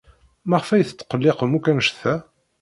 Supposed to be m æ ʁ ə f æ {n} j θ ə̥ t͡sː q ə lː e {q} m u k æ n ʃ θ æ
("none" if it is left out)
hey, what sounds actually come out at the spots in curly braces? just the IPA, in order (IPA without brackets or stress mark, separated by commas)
none, q